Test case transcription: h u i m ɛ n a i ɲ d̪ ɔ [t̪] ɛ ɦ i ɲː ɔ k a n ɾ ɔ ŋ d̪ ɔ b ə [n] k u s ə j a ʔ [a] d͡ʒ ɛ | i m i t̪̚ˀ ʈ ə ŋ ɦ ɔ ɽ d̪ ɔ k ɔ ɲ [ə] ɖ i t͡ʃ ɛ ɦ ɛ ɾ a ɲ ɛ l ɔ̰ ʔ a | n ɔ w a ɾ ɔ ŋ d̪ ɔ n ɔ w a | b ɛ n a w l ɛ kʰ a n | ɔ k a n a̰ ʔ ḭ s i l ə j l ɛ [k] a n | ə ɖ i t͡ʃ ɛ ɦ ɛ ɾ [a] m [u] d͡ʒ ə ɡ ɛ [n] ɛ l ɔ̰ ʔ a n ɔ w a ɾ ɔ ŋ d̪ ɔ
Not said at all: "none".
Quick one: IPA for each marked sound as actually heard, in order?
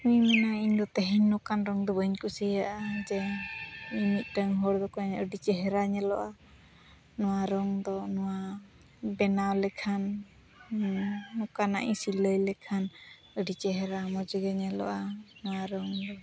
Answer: t̪, ɲ, a, ə, kʰ, a, ɔ, ɲ

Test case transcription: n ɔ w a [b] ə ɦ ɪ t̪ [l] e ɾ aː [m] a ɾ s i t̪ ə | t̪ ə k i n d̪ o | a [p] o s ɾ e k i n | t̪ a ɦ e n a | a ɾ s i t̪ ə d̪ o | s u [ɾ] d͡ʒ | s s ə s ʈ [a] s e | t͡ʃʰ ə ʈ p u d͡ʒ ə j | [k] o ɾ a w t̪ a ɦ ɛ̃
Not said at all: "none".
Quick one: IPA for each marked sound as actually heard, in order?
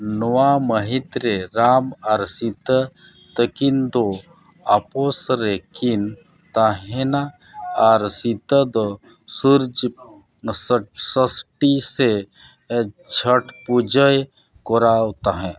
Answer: m, ɾ, m, p, ɾ, i, k

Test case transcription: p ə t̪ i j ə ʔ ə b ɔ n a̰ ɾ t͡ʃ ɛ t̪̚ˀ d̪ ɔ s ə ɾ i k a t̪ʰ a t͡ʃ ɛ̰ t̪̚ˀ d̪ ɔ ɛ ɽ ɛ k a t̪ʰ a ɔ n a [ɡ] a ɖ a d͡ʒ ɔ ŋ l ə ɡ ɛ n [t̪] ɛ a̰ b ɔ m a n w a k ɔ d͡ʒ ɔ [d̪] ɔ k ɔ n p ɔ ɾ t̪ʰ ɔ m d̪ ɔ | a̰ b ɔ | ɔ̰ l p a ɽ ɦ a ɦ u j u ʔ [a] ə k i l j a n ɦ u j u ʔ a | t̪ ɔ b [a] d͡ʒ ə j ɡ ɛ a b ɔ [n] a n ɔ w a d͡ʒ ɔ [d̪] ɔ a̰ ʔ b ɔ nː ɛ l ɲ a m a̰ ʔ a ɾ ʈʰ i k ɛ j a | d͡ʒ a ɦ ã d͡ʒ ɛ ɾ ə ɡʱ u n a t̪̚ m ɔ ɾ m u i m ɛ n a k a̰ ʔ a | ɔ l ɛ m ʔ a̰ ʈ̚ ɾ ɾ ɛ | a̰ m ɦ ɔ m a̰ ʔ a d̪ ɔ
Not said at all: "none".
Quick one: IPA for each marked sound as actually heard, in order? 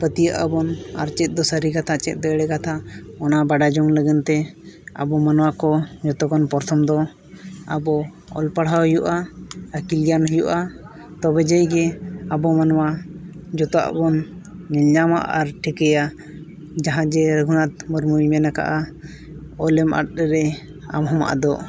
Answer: b, t̪, t̪, a, ɛ, m, t̪

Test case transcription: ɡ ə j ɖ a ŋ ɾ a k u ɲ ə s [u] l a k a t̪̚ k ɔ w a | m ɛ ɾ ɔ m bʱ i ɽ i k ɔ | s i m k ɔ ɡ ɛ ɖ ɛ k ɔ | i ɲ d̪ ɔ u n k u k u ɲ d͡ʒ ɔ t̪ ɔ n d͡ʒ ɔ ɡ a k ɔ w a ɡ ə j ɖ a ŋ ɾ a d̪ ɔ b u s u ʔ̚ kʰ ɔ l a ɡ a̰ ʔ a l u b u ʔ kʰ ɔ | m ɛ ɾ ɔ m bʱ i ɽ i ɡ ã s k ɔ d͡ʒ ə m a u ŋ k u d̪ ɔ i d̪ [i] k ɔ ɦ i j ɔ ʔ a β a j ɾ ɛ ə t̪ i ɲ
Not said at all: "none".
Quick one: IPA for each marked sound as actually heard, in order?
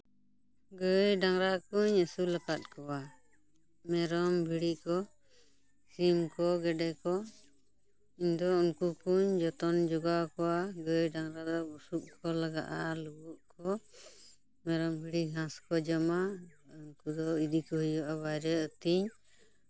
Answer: u, i

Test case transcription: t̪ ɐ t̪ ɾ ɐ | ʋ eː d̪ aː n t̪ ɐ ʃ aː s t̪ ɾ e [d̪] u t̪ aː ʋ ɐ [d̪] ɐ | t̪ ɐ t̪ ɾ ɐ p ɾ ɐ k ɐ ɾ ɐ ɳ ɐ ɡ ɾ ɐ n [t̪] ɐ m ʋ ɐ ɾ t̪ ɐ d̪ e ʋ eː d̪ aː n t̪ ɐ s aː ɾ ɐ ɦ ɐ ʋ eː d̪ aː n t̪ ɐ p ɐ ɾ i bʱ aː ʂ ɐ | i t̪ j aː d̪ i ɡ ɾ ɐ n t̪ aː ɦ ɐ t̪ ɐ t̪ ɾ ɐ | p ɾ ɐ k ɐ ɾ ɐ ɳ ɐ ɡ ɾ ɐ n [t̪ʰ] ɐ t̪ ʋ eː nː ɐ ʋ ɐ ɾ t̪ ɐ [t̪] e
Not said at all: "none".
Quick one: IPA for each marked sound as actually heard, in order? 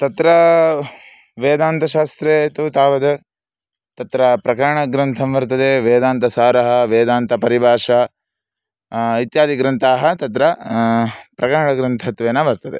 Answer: t̪, d̪, t̪ʰ, t̪ʰ, d̪

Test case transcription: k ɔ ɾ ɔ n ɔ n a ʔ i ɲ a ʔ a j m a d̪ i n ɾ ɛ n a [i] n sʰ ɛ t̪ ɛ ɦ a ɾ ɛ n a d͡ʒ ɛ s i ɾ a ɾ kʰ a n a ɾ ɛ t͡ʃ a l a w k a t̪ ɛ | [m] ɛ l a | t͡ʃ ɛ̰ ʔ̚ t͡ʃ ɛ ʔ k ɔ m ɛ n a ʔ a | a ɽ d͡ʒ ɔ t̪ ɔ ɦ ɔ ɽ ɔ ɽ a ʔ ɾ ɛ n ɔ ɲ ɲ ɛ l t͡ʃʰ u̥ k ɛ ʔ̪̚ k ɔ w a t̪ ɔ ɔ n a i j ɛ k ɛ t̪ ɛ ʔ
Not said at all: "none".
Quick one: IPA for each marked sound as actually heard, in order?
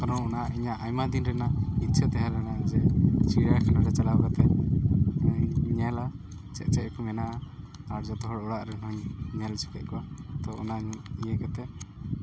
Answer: i, ɲ

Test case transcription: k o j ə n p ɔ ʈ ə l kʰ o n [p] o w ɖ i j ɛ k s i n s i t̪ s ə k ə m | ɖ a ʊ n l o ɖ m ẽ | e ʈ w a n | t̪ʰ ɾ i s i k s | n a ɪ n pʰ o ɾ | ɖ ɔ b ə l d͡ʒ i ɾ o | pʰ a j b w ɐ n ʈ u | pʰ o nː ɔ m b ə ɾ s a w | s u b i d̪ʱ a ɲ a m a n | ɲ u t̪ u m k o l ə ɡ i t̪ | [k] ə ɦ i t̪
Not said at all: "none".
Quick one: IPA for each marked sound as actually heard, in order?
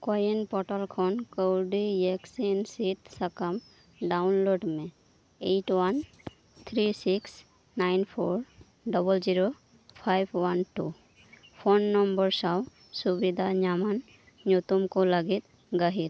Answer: k, ɡ

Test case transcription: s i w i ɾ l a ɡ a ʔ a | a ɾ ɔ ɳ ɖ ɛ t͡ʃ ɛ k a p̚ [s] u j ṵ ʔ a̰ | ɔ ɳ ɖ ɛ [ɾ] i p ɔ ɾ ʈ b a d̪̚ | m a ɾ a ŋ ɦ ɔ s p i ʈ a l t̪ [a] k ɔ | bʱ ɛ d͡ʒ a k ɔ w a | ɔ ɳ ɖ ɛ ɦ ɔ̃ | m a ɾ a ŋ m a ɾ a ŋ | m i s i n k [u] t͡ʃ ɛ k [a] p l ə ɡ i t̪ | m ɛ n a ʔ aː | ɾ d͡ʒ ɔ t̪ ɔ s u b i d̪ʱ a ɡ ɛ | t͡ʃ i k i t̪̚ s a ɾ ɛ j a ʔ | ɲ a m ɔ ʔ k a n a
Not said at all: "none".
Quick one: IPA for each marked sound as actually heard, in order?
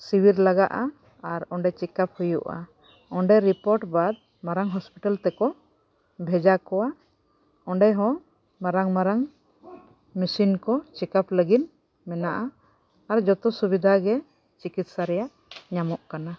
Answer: h, ɾ, ɛ, ɔ, a

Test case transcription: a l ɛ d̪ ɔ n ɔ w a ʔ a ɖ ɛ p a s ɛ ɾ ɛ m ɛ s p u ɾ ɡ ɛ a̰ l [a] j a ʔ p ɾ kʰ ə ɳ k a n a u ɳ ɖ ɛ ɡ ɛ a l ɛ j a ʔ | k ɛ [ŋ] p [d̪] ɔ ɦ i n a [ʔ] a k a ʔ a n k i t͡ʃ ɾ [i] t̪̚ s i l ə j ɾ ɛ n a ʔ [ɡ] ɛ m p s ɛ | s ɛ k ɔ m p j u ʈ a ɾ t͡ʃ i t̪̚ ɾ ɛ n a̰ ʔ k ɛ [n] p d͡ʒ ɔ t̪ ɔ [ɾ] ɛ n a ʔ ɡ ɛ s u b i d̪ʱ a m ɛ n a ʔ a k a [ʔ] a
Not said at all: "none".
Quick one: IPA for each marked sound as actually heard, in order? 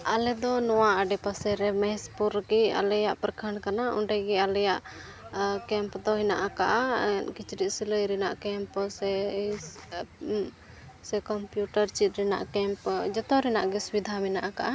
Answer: ɛ, m, d̪, ʔ, i, k, m, ɾ, ʔ

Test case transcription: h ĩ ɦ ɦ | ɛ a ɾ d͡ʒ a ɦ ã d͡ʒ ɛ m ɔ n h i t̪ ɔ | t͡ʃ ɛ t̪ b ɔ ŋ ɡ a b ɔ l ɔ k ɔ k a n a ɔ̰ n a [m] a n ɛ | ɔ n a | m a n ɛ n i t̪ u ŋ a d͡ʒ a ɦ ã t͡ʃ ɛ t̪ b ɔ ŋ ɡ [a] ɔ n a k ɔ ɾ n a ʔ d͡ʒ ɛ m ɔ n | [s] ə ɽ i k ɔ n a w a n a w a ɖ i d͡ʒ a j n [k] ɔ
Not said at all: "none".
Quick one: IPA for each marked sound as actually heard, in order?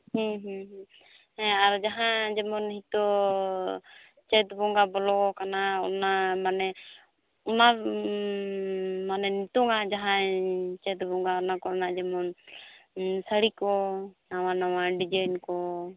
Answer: m, a, s, k

